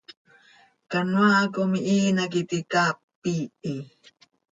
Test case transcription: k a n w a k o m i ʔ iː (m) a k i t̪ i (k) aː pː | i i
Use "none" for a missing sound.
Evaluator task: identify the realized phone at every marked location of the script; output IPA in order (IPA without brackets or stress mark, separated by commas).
n, k